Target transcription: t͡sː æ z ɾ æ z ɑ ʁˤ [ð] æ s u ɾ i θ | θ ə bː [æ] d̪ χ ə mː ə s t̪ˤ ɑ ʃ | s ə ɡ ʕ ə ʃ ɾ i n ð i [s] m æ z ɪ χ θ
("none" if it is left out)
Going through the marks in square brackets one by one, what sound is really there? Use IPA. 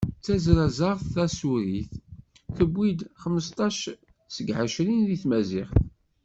θ, i, θ

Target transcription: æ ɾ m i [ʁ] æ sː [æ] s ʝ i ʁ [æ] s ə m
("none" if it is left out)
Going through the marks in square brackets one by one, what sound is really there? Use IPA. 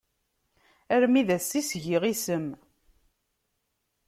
ð, i, i

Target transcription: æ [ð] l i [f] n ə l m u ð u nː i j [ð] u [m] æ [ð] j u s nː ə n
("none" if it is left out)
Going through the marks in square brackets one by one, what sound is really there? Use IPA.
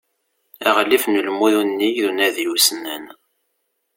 ʁ, f, ð, n, ð

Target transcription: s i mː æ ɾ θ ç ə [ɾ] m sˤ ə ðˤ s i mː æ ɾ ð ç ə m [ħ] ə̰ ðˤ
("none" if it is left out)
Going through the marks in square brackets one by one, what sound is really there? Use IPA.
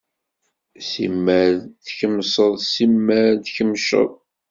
none, ʃ

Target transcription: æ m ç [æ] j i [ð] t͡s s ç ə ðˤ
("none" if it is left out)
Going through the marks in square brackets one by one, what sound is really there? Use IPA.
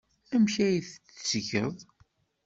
æ, θ

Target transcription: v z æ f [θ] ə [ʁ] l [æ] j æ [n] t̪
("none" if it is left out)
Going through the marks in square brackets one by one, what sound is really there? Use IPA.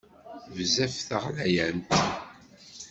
θ, ʁ, æ, n

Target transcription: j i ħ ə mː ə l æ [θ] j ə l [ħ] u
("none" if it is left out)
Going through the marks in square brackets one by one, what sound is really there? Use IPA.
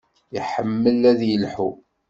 ð, ħ

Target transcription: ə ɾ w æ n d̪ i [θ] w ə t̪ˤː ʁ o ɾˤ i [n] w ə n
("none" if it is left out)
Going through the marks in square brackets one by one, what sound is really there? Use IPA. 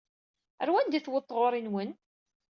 θ, n

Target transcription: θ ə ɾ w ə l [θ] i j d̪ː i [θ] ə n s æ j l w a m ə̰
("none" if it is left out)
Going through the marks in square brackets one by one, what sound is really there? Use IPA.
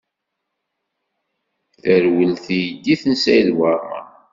θ, θ

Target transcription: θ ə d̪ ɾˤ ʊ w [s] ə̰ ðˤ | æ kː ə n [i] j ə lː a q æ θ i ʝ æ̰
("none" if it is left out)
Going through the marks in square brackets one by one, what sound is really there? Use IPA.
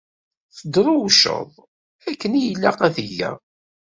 ʃ, i

